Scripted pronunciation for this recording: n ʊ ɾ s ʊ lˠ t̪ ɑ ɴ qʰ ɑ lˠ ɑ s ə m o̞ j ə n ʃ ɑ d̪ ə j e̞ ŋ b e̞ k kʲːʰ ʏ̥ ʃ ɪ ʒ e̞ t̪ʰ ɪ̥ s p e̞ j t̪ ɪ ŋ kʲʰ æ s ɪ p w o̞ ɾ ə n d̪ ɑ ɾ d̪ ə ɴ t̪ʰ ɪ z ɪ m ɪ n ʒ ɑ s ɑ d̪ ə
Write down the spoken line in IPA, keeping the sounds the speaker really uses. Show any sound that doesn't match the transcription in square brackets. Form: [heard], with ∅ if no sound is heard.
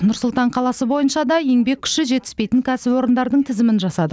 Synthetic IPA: n ʊ ɾ s ʊ lˠ t̪ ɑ ɴ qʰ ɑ lˠ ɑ s ə [b] o̞ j ə n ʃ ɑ d̪ [ɑ] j e̞ ŋ b e̞ k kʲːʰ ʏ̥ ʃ ɪ ʒ e̞ [t̪] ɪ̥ s p e̞ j t̪ ɪ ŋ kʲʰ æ s ɪ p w o̞ ɾ ə n d̪ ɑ ɾ d̪ ə ɴ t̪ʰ ɪ z ɪ m ɪ n ʒ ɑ s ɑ d̪ ə